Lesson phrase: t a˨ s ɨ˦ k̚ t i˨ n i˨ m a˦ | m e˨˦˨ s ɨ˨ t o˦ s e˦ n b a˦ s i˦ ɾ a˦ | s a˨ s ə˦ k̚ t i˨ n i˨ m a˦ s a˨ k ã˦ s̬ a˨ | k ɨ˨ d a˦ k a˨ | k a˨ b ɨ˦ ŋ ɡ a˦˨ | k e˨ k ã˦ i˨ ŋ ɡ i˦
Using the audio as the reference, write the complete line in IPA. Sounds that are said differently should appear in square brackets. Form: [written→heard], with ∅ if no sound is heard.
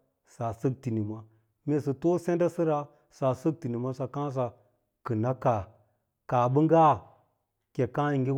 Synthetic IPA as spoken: [t→s] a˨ s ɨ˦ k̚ t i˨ n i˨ m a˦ | m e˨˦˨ s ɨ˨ t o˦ s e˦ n [b→d] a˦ s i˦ ɾ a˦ | s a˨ s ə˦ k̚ t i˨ n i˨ m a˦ s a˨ k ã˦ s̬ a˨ | k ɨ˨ [d→n] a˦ k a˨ | k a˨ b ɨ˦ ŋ ɡ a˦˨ | k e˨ k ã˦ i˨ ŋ ɡ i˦

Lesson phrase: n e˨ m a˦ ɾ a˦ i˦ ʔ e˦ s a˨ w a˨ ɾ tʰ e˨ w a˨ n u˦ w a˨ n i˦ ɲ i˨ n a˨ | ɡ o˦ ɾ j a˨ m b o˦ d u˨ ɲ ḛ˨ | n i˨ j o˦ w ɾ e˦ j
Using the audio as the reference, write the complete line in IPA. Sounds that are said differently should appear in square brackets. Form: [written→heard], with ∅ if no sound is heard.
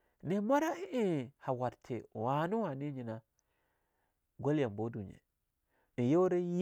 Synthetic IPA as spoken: n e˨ m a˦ ɾ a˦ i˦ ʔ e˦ [s→h] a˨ w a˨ ɾ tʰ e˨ w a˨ n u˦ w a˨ n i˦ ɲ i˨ n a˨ | ɡ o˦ [ɾ→l] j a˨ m b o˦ d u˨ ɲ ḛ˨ | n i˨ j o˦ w ɾ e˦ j

